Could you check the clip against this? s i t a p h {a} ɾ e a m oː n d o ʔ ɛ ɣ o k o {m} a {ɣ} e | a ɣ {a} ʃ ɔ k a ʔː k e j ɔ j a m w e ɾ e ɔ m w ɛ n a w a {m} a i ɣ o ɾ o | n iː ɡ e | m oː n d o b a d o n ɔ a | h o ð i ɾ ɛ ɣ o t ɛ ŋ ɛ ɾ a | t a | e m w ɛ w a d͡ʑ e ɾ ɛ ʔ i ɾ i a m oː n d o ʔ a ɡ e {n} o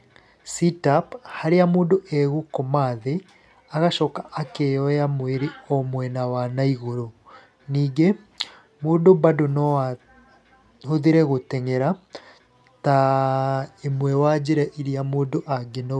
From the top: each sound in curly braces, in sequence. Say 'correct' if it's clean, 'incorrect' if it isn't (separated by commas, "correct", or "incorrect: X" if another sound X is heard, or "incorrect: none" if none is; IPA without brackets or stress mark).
correct, correct, incorrect: ð, correct, incorrect: n, correct